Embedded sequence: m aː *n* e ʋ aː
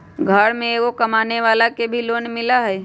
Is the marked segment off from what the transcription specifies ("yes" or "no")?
no